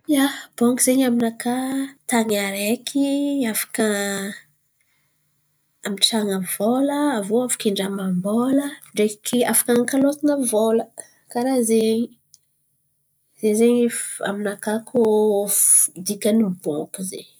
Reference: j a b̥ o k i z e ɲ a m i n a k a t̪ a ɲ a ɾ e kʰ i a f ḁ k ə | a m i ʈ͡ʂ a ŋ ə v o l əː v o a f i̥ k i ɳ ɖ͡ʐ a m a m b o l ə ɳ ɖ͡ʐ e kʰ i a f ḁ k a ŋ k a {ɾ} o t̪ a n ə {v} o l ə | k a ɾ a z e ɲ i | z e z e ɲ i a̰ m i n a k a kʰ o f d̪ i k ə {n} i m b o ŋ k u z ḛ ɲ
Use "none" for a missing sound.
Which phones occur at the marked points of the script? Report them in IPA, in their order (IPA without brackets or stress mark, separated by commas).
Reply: l, v, n